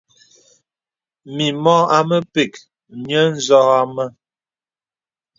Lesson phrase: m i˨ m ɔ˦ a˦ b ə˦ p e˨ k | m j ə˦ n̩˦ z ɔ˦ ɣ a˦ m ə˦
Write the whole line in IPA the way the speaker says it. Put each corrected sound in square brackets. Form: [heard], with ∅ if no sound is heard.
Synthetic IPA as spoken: m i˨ m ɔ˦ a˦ [m] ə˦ p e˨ k | m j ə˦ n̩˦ z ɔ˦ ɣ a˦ m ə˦